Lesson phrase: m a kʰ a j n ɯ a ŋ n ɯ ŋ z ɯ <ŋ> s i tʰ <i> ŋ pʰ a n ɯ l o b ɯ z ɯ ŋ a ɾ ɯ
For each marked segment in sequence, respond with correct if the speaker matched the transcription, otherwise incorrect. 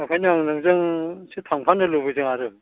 correct, incorrect: a

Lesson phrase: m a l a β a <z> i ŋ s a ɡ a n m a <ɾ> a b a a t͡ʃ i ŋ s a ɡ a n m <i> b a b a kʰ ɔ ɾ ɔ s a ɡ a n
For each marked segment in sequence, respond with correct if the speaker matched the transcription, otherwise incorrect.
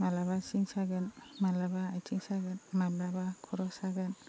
incorrect: s, incorrect: l, incorrect: a

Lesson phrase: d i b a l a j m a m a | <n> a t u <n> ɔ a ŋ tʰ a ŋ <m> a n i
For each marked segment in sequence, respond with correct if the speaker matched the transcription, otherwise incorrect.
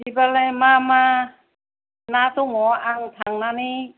correct, incorrect: ŋ, incorrect: n

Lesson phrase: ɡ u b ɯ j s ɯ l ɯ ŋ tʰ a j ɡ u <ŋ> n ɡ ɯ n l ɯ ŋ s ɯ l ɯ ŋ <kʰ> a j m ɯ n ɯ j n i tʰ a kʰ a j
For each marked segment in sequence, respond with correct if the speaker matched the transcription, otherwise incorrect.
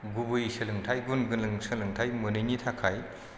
incorrect: none, incorrect: tʰ

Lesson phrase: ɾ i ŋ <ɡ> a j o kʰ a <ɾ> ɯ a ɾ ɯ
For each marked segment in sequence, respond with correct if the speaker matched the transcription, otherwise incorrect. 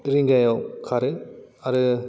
correct, correct

